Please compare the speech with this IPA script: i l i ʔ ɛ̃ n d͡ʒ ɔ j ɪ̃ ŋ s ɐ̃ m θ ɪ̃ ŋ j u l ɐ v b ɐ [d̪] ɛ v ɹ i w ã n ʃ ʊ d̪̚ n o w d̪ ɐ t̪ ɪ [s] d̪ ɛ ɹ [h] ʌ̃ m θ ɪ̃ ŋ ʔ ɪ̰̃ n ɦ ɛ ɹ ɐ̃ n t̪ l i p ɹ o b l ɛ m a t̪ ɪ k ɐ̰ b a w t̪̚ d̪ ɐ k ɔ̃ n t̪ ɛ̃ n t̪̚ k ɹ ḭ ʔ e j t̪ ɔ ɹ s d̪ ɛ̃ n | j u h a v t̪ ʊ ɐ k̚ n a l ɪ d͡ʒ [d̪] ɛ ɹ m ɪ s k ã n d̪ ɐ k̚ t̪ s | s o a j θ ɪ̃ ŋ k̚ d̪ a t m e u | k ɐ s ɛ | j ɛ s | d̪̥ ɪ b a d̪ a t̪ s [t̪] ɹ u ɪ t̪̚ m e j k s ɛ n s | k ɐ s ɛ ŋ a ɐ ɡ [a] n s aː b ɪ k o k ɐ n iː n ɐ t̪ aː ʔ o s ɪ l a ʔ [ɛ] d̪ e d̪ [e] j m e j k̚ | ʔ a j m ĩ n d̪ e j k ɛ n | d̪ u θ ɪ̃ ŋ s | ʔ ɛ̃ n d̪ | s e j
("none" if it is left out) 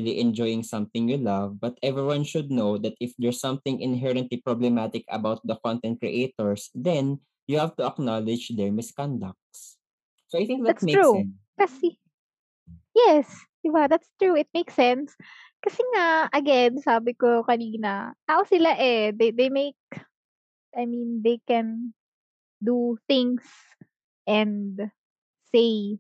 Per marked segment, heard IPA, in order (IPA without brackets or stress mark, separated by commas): t̪, f, s, d̪, t̪, ɛ, ɛ, e